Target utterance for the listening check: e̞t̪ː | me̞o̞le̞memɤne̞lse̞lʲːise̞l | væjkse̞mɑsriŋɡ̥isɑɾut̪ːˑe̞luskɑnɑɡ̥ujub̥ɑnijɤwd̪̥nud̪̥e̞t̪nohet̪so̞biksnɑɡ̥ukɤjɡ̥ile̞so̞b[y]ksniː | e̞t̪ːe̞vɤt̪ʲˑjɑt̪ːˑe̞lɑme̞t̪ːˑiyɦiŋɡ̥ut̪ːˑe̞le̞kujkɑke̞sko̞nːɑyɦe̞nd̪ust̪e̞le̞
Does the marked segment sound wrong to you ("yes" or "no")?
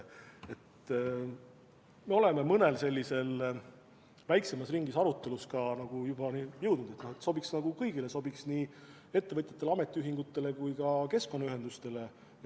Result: yes